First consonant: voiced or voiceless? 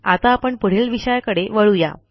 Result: voiceless